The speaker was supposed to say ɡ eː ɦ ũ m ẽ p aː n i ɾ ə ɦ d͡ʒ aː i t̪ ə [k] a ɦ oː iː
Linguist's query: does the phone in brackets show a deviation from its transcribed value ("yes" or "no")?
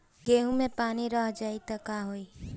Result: no